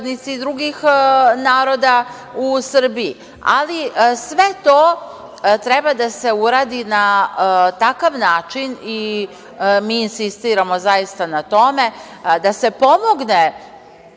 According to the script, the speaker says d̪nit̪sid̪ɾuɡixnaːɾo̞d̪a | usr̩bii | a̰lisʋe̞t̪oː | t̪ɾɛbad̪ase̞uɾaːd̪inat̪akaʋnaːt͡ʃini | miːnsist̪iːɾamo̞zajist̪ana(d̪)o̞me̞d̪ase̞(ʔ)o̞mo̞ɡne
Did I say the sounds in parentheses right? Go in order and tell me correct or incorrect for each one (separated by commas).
incorrect, incorrect